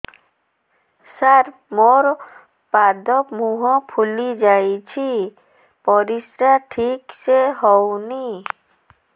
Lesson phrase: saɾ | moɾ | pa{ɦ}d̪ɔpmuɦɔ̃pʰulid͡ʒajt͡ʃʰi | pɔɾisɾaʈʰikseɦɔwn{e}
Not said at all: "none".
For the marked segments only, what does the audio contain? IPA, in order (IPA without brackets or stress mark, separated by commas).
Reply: none, i